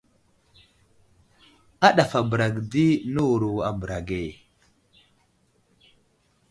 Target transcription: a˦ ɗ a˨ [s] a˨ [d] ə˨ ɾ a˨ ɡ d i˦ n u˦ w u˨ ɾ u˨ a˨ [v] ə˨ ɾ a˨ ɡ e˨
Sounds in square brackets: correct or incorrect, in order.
incorrect: f, incorrect: b, incorrect: b

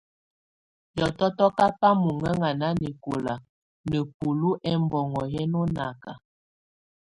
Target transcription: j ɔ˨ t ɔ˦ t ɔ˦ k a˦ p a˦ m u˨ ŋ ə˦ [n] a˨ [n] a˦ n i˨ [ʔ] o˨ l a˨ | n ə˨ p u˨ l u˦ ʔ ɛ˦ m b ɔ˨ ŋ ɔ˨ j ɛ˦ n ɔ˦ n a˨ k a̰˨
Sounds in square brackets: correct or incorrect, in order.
incorrect: ŋ, correct, incorrect: k

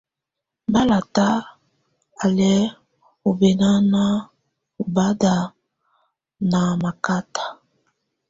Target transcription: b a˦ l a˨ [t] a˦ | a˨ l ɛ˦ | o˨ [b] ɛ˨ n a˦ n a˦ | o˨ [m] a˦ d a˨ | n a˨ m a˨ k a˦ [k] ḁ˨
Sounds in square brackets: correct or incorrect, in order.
correct, correct, incorrect: b, incorrect: t

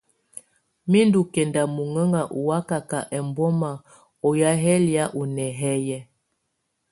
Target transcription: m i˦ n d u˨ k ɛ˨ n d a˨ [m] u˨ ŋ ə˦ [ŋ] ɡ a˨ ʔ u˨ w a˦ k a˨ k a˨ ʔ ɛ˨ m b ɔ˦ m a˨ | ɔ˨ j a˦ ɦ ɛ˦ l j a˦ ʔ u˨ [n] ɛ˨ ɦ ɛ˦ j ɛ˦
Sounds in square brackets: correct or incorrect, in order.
correct, correct, correct

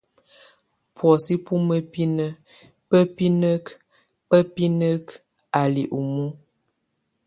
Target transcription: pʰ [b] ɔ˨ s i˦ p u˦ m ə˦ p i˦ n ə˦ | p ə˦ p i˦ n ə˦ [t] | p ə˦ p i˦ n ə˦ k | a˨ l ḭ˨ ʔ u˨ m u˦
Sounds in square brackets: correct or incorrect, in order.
incorrect: w, incorrect: k

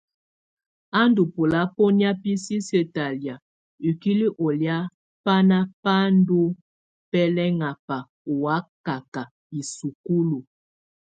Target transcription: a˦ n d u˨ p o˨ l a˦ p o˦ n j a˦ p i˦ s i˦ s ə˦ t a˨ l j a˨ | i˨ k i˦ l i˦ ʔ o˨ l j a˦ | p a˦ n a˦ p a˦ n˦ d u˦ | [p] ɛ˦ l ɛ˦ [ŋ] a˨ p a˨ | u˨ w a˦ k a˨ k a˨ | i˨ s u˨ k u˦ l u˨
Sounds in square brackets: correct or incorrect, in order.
correct, correct

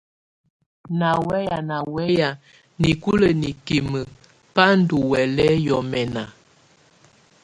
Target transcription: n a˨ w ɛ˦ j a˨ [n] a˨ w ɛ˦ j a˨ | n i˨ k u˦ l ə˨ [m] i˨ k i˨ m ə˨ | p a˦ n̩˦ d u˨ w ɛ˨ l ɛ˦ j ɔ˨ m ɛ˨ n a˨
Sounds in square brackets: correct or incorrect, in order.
correct, incorrect: n

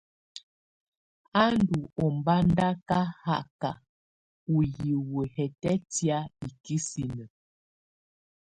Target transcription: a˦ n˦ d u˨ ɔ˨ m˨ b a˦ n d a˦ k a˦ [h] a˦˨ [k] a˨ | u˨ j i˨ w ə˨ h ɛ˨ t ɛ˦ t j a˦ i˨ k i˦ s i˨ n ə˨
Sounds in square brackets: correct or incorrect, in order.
correct, correct

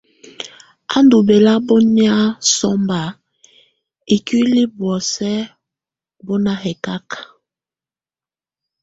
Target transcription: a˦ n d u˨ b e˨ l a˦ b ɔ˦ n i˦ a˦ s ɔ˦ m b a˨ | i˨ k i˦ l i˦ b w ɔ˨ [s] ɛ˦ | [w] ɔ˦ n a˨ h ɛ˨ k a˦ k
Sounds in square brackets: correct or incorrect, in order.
correct, incorrect: b

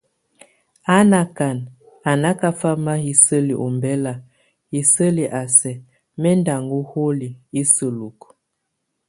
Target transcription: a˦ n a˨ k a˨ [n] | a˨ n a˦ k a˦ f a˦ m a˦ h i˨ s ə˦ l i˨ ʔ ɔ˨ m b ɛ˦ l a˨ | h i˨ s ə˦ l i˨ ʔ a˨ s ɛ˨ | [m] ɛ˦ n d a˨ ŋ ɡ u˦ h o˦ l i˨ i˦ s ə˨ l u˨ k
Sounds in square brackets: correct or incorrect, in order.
correct, correct

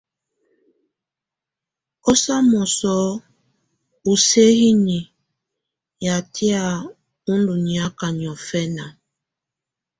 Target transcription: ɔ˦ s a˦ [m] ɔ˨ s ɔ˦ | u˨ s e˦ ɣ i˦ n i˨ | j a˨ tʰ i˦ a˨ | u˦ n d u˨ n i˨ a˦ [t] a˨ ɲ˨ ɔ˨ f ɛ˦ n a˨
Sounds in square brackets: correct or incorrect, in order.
correct, incorrect: k

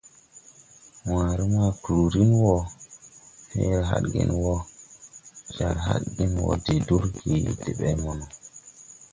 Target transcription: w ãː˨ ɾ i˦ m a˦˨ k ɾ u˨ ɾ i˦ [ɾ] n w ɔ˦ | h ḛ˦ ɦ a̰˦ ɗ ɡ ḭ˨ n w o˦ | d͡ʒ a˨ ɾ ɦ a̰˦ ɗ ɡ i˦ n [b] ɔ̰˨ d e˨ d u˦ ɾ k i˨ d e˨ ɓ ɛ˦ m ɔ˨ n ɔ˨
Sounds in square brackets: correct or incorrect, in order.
incorrect: none, incorrect: w

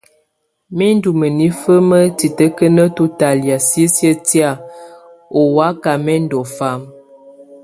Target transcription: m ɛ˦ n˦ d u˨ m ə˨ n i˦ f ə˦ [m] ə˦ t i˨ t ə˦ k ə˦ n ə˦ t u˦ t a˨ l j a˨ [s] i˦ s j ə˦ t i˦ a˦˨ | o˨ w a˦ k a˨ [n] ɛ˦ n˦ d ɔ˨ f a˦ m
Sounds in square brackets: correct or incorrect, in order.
correct, correct, incorrect: m

